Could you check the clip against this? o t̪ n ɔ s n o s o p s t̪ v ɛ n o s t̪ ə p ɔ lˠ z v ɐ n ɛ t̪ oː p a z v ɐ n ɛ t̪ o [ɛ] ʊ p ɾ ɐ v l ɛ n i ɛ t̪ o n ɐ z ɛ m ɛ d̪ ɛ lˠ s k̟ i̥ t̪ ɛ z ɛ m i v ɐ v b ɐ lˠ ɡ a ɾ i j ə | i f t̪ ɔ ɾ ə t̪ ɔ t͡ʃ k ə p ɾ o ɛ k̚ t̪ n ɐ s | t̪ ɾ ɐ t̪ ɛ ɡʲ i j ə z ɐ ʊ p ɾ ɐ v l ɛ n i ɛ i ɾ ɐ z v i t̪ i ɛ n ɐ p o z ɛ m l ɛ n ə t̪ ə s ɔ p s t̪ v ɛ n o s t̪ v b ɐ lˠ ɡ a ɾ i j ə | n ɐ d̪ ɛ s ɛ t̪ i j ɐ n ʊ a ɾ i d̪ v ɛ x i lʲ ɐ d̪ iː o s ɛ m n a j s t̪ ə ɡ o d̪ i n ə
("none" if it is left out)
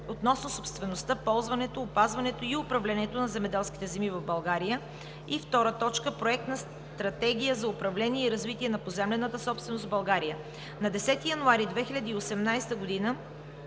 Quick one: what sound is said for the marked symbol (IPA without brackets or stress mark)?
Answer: i